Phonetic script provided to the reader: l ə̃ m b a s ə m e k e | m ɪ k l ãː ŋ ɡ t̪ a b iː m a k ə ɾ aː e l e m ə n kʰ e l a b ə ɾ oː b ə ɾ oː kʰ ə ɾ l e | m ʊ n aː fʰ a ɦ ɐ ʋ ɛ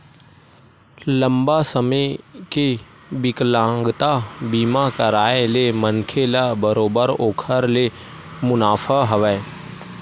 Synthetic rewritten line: l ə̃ m b a s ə m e k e | b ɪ k l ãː ŋ ɡ t̪ a b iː m a k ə ɾ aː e l e m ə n kʰ e l a b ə ɾ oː b ə ɾ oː kʰ ə ɾ l e | m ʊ n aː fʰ a ɦ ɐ ʋ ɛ